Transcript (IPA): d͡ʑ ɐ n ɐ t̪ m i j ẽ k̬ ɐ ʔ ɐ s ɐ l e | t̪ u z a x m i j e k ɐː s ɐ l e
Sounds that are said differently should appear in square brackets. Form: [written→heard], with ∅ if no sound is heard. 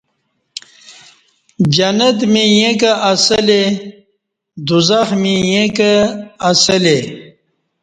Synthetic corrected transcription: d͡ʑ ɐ n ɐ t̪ m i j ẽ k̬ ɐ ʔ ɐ s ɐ l e | [t̪→d̪] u z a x m i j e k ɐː s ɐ l e